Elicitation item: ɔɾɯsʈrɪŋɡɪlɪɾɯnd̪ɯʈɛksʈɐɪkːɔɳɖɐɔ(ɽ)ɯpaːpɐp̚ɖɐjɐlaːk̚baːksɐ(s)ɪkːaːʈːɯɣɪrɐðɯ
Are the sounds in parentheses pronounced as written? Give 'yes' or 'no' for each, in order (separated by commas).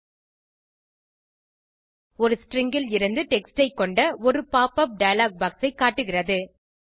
no, no